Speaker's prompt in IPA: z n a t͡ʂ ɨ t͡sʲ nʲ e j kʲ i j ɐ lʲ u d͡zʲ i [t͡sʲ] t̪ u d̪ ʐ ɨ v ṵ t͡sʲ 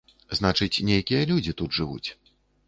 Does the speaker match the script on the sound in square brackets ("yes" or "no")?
no